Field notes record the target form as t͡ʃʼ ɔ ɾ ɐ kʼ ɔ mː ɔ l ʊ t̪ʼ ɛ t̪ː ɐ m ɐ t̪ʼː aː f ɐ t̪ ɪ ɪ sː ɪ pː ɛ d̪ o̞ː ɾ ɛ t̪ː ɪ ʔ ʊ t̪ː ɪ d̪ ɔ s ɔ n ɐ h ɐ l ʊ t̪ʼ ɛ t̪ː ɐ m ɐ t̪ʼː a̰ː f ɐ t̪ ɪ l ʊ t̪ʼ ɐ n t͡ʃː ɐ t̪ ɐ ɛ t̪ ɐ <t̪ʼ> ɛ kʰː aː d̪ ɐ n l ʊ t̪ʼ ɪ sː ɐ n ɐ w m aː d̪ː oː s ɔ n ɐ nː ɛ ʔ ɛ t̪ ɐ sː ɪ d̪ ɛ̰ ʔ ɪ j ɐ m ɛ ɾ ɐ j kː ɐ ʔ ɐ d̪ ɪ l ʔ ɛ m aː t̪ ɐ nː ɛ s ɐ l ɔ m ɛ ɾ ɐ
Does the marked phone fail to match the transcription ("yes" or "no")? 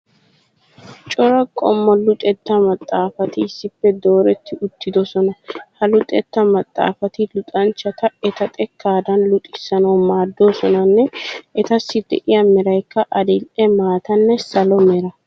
no